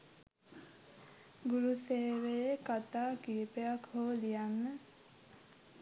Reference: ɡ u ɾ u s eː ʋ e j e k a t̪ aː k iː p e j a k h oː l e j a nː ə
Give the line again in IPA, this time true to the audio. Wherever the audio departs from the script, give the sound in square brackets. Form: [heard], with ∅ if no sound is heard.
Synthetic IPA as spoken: ɡ u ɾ u s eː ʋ e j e k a t̪ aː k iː p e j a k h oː l [i] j a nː ə